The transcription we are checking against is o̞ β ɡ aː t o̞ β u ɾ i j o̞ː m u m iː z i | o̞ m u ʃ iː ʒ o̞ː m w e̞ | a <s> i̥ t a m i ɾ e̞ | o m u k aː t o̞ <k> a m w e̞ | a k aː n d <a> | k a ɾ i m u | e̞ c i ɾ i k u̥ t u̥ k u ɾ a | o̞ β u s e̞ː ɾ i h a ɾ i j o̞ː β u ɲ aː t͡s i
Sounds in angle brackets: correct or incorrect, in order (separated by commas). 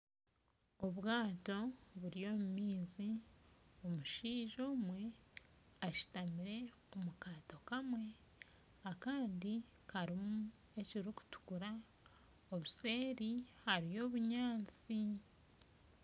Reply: incorrect, correct, incorrect